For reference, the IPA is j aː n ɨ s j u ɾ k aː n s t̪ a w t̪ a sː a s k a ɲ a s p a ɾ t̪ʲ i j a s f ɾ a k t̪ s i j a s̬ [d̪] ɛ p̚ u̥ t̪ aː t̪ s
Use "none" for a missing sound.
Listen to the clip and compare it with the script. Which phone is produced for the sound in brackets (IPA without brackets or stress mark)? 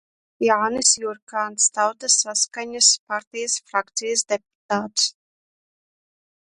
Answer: d̪